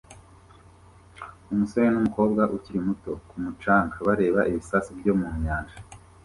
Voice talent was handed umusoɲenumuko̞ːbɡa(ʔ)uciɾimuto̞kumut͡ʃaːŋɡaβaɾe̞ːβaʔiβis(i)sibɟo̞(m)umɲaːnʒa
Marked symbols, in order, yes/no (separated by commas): yes, no, yes